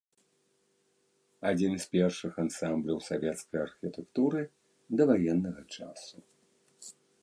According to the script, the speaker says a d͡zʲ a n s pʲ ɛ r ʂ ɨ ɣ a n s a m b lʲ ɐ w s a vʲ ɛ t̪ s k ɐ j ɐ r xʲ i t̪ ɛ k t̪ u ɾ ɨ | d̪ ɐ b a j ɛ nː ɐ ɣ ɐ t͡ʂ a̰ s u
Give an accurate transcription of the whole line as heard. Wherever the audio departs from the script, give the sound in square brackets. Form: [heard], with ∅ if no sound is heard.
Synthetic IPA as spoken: a d͡zʲ [i] n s pʲ ɛ r ʂ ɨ [x] a n s a m b lʲ ɐ w s a vʲ ɛ t̪ s k ɐ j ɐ r xʲ i t̪ ɛ k t̪ u ɾ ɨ | d̪ ɐ [v] a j ɛ nː ɐ ɣ ɐ t͡ʂ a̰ s u